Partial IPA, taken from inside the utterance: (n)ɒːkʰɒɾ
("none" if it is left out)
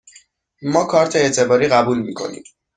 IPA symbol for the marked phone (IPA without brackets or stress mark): m